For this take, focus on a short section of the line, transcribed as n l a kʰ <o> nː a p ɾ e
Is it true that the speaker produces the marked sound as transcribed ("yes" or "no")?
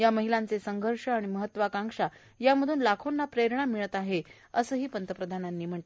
yes